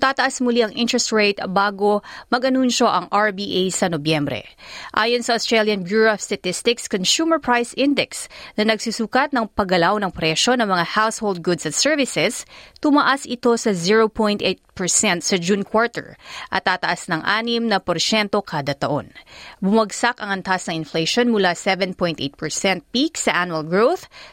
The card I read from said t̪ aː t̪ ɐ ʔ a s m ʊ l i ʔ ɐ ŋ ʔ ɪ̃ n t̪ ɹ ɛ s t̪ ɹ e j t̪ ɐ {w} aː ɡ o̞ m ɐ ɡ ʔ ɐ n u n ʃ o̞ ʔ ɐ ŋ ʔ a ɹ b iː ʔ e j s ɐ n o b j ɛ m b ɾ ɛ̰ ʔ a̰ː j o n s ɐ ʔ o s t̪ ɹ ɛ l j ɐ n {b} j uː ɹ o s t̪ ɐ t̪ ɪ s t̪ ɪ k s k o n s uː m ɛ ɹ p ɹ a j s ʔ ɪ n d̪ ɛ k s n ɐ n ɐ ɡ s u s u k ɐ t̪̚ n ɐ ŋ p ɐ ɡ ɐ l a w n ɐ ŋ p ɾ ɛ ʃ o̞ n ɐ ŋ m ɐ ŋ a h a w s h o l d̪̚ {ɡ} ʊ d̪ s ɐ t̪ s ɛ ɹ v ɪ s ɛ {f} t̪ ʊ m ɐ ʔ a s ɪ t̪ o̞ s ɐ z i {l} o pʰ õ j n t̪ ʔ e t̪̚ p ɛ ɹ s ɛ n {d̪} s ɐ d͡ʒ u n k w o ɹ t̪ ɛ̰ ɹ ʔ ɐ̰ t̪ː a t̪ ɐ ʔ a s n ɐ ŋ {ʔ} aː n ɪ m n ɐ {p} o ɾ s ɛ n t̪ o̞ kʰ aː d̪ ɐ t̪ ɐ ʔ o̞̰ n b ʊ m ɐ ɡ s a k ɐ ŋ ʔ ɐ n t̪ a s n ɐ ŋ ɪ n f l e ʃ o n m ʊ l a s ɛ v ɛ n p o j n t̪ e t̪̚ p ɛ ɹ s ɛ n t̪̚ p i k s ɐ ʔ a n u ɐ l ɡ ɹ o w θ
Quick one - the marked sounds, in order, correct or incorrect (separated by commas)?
incorrect, correct, correct, incorrect, incorrect, incorrect, correct, correct